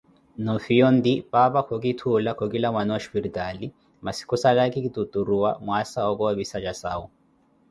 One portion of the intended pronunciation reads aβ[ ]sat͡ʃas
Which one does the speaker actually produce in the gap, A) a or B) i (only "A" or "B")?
B